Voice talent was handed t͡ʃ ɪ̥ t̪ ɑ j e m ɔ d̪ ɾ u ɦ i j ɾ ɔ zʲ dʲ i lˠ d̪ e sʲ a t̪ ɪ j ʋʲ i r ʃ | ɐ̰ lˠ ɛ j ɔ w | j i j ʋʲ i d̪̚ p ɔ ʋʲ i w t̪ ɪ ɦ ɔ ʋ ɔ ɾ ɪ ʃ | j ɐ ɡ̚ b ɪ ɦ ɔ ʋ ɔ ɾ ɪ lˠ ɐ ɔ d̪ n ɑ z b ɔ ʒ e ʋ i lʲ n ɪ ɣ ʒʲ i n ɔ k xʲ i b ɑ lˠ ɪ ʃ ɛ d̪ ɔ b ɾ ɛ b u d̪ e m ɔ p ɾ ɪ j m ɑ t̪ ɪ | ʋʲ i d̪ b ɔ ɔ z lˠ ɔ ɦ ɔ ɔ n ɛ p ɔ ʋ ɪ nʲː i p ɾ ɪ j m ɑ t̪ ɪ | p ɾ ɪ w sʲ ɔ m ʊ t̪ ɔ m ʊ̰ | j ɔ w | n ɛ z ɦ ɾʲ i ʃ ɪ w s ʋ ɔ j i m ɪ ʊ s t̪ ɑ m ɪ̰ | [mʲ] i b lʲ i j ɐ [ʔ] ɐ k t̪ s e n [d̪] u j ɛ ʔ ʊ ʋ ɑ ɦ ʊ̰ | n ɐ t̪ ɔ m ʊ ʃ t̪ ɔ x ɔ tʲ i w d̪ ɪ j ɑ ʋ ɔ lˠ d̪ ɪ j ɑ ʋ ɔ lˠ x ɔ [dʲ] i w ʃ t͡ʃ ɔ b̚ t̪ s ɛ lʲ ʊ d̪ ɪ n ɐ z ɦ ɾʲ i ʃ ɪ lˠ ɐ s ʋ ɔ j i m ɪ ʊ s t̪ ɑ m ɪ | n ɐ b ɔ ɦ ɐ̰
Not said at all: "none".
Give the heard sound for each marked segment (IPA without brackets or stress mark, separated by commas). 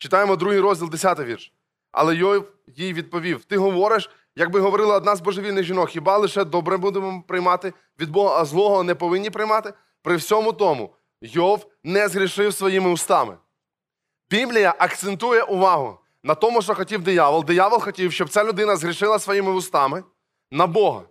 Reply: bʲ, ʔ, t̪, tʲ